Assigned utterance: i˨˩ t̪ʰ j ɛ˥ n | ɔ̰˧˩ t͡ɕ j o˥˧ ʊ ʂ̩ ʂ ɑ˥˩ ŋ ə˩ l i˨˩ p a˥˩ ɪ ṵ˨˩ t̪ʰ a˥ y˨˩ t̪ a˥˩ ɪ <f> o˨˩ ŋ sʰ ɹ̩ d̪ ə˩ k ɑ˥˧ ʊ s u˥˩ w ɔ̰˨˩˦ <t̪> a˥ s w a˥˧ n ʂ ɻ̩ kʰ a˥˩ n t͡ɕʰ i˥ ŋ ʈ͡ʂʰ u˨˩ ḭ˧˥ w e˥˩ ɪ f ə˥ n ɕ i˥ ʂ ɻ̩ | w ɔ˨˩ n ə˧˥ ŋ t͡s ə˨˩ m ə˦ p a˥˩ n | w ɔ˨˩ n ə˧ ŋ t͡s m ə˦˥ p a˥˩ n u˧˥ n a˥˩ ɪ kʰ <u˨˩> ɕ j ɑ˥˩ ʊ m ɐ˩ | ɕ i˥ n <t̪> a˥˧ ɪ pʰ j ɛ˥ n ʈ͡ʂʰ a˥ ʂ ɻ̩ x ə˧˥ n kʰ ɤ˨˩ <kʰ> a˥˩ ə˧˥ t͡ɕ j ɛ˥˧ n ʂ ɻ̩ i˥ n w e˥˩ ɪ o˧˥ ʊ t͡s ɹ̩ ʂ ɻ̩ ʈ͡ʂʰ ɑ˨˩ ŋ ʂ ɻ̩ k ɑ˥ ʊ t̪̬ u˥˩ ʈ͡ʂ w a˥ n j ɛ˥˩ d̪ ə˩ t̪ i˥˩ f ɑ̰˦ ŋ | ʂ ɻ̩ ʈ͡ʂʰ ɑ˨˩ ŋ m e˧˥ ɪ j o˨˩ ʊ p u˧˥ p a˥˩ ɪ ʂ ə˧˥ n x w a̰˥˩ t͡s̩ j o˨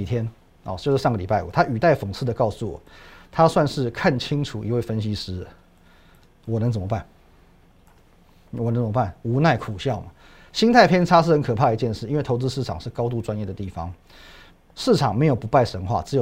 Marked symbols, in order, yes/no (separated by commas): yes, no, yes, no, no